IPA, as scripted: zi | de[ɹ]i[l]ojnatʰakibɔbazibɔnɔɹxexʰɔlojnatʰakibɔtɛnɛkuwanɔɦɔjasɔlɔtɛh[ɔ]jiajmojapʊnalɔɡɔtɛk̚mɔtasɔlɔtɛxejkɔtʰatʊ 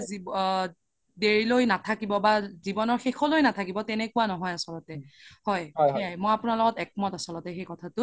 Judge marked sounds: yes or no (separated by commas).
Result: yes, yes, yes